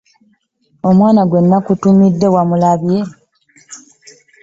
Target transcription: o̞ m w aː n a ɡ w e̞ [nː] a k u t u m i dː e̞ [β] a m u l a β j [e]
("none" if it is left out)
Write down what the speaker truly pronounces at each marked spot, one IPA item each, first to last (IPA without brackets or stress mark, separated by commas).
nː, w, e